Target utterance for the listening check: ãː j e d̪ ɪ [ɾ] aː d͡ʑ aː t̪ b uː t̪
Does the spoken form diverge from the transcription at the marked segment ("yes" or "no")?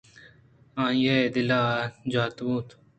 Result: yes